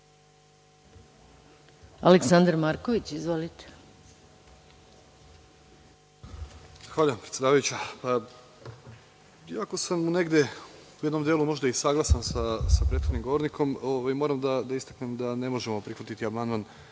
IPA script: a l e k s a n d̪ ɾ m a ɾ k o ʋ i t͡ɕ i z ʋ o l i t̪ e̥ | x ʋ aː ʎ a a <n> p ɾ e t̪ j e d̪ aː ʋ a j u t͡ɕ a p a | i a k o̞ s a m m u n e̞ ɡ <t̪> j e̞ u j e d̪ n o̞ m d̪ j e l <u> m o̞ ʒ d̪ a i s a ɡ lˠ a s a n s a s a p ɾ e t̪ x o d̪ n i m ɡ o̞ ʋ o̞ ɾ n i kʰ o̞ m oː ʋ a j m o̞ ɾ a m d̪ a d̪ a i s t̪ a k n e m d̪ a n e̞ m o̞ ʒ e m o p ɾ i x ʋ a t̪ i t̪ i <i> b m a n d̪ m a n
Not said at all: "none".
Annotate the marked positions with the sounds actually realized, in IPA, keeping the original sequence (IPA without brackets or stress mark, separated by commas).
m, d̪, u, a